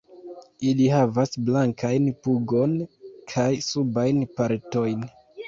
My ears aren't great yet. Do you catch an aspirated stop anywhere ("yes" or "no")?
yes